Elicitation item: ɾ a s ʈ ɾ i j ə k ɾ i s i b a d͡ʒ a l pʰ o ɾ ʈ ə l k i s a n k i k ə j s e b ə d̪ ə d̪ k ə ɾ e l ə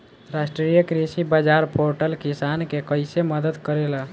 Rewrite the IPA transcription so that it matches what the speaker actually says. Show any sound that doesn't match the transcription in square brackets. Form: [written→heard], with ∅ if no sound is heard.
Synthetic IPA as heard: ɾ a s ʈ ɾ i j ə k ɾ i s i b a d͡ʒ a [l→ɾ] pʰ o ɾ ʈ ə l k i s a n k [i→e] k ə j s e [b→m] ə d̪ ə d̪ k ə ɾ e l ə